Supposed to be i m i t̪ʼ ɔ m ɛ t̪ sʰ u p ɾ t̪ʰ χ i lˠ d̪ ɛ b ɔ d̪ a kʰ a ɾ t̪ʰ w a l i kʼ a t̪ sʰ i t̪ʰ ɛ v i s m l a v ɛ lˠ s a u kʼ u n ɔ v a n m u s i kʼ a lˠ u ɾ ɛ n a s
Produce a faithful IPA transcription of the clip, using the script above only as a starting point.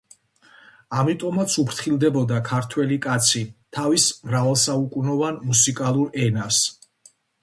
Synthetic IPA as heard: a m i t̪ʼ ɔ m a t̪ sʰ u p ɾ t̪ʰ χ i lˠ d̪ ɛ b ɔ d̪ a kʰ a ɾ t̪ʰ w ɛ l i kʼ a t̪ sʰ i t̪ʰ a v i s m ɾ a v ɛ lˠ s a u kʼ u n ɔ v a n m u s i kʼ a lˠ u ɾ ɛ n a s